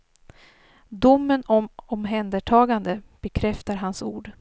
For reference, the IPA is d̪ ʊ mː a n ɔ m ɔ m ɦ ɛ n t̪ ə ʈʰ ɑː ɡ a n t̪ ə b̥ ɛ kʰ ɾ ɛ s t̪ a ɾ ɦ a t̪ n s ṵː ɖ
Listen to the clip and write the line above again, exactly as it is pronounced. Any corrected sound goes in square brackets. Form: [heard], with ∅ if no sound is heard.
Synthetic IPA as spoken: d̪ ʊ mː [ə] n ɔ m ɔ m ɦ ɛ n [d̪] ə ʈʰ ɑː ɡ a n [d̪] ə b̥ ɛ kʰ ɾ ɛ [f] t̪ a ɾ ɦ a [∅] n s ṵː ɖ